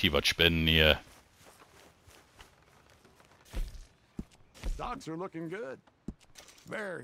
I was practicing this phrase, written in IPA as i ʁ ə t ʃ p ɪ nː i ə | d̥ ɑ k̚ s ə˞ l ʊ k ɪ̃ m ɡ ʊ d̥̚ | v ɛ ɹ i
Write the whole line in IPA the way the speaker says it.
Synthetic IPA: i v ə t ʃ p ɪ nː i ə | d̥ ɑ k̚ s ə˞ l ʊ k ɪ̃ ŋ ɡ ʊ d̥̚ | v ɛ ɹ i